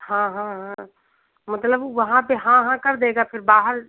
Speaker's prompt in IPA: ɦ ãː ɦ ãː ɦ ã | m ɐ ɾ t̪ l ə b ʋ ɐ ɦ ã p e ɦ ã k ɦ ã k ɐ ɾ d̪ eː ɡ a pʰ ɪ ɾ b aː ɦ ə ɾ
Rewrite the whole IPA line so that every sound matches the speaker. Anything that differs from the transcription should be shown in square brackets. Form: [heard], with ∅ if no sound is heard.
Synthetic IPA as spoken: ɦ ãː ɦ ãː ɦ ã | m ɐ [∅] t̪ l ə b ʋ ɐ ɦ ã p e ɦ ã [∅] ɦ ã k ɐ ɾ d̪ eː ɡ a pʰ ɪ ɾ b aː ɦ ə ɾ